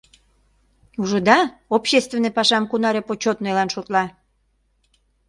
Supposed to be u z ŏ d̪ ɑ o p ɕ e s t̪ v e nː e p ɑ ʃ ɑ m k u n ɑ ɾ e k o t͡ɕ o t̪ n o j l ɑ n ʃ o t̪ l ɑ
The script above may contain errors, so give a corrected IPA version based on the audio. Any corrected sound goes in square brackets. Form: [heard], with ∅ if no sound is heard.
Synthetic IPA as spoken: u [ʒ] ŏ d̪ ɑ o p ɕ e s t̪ v e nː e p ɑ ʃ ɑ m k u n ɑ ɾ e [p] o t͡ɕ o t̪ n o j l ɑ n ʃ o t̪ l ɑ